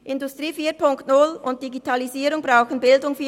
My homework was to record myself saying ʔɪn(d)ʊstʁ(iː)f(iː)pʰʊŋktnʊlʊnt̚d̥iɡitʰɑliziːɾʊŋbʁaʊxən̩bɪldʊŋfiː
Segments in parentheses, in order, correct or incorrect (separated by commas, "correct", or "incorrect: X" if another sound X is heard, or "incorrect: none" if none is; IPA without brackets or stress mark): correct, correct, correct